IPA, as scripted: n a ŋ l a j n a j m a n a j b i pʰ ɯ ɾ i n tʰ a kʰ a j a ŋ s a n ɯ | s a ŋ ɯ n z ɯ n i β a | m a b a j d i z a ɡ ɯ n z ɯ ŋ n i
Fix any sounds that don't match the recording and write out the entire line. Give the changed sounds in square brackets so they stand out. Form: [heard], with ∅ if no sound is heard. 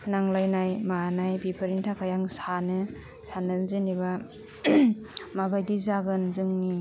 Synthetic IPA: n a ŋ l a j n a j m a n a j b i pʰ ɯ ɾ i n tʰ a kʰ a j a ŋ s a n ɯ | s a [n] ɯ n z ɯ n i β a | m a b a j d i z a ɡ ɯ n z ɯ ŋ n i